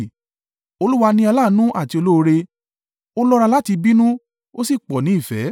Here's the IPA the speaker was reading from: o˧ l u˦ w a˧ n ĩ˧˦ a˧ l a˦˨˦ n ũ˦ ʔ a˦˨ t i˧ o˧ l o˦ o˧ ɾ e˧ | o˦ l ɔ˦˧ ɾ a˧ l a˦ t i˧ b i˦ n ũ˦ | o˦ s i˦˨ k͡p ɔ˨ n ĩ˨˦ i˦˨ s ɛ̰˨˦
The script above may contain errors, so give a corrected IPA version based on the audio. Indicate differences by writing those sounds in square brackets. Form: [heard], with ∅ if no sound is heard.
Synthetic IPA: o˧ l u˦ w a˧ n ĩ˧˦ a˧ l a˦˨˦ n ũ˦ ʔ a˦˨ t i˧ o˧ l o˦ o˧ ɾ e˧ | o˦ l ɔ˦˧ ɾ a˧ l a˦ t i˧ b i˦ n ũ˦ | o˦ s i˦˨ k͡p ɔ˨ n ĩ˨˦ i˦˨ [f] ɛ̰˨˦